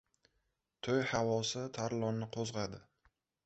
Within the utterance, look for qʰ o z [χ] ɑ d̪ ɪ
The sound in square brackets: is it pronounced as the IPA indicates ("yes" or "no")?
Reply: no